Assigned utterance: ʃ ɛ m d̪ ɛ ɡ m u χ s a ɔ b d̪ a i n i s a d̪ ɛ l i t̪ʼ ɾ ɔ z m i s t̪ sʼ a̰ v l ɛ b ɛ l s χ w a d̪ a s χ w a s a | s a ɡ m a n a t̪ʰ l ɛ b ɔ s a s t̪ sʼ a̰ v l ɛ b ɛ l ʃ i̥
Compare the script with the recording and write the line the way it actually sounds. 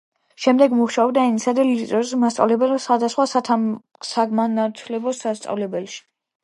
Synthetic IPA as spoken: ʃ ɛ m d̪ ɛ ɡ m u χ ʃ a ɔ b d̪ a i n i s a d̪ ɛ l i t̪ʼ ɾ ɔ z m a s t̪ sʼ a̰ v l ɛ b ɛ l s χ w a d̪ a s χ w a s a | s a ɡ m a n a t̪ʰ l ɛ b ɔ s a s t̪ sʼ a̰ v l ɛ b ɛ l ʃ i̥